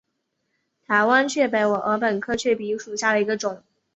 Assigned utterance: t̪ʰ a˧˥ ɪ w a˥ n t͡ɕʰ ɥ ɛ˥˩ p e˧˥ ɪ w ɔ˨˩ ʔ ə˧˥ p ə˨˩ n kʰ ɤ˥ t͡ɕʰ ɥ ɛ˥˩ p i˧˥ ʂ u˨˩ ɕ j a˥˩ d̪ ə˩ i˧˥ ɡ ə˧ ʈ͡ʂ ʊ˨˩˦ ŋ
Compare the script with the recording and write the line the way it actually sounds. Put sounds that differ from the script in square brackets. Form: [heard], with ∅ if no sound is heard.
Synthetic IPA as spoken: t̪ʰ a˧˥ ɪ w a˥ n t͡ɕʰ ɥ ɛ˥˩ p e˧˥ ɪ w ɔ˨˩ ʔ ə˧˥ p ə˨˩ n kʰ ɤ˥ t͡ɕʰ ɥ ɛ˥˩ p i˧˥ ʂ u˨˩ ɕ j a˥˩ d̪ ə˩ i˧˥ ɡ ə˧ ʈ͡ʂ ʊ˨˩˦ ŋ